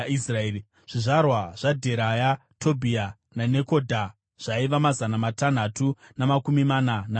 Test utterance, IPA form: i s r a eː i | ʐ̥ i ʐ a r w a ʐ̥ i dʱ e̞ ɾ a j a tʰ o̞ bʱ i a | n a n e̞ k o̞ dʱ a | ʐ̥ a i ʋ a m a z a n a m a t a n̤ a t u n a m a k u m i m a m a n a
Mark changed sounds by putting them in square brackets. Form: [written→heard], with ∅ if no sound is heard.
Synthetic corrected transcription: i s r a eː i | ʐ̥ i ʐ a r w a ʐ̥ [i→a] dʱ e̞ ɾ a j a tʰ o̞ bʱ i a | n a n e̞ k o̞ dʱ a | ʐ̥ a i ʋ a m a z a n a m a t a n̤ a t u n a m a k u m i m a [m→n] a n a